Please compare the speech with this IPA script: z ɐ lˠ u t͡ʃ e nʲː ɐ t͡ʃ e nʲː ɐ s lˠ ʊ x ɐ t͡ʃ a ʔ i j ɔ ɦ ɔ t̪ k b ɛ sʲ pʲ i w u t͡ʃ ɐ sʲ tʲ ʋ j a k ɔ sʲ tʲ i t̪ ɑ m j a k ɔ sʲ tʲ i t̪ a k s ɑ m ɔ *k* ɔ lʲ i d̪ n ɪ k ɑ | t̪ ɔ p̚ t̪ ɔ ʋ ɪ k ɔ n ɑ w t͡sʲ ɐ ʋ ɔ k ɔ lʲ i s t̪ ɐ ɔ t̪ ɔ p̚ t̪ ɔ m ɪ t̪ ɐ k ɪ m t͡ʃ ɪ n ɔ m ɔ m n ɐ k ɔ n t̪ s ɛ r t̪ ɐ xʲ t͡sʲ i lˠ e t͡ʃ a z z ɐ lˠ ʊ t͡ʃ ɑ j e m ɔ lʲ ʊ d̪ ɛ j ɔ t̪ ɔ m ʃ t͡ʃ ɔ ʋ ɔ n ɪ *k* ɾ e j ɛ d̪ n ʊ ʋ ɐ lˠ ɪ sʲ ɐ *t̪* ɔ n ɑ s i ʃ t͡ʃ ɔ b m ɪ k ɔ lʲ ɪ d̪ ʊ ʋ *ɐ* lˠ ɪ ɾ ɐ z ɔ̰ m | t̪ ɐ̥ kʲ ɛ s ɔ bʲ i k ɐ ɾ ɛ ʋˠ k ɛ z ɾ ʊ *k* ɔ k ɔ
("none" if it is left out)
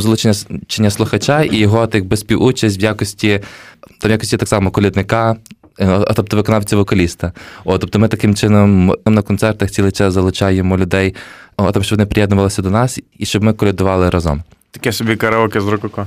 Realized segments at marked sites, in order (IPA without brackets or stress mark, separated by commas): k, p, d̪, ɑ, k